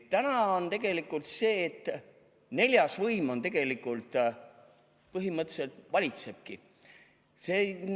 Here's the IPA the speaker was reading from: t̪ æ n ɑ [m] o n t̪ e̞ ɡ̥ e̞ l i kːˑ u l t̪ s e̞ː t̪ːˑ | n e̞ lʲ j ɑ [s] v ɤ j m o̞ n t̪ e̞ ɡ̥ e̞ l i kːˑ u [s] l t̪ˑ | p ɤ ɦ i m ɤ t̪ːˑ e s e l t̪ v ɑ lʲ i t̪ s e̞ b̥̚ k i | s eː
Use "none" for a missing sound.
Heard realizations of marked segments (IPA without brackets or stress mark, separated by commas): none, s, none